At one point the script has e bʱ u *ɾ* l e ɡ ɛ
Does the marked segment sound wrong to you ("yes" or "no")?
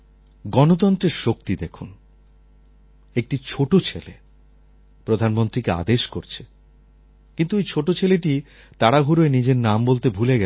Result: yes